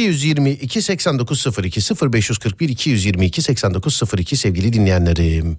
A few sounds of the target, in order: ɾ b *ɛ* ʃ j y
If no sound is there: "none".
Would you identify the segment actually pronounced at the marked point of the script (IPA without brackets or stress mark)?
ɛ